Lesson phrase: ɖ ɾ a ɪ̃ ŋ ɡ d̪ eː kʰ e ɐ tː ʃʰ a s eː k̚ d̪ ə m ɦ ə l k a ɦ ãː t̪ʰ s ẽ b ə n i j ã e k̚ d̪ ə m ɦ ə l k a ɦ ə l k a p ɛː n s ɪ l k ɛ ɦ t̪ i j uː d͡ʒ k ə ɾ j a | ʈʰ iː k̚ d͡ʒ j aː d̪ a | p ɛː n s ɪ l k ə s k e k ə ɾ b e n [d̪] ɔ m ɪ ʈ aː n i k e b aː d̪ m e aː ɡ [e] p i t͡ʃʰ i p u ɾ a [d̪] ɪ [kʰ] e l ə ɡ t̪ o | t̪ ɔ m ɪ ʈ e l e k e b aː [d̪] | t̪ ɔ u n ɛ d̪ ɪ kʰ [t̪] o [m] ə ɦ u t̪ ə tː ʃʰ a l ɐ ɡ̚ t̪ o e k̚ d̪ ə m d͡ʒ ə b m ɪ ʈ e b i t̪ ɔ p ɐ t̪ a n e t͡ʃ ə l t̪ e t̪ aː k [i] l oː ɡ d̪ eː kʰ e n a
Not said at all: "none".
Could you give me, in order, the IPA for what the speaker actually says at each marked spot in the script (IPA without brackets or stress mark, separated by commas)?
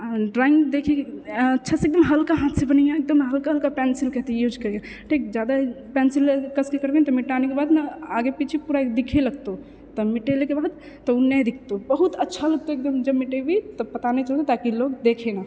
t̪, e, d̪, kʰ, d̪, t̪, b, i